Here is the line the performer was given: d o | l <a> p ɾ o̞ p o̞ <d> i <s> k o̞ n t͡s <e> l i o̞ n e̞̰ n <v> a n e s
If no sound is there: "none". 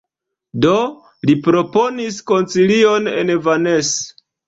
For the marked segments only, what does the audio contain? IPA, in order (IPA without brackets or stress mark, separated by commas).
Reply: i, n, s, i, v